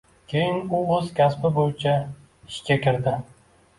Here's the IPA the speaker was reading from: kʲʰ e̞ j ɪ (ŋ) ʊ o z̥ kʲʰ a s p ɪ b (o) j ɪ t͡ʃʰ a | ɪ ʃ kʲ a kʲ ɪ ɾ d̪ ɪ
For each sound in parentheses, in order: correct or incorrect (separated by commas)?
incorrect, correct